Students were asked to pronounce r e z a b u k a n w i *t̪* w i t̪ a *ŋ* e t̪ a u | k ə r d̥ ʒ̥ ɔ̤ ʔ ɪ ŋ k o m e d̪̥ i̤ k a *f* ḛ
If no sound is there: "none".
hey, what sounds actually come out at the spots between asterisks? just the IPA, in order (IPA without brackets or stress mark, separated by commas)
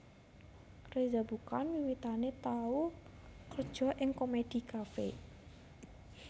none, n, f